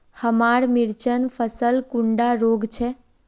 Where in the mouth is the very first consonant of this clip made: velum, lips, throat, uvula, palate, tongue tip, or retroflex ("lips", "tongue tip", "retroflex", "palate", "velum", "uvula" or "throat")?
throat